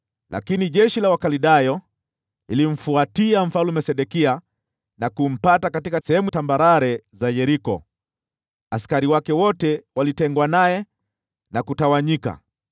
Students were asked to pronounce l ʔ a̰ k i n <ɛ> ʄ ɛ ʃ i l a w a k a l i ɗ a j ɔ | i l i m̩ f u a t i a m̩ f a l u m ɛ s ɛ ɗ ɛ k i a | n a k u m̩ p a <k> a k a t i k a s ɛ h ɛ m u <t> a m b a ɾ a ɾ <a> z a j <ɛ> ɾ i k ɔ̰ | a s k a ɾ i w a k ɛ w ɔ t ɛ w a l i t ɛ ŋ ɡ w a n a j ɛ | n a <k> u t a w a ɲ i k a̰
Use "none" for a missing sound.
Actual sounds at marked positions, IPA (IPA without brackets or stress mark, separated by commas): i, t, t, ɛ, ɛ, k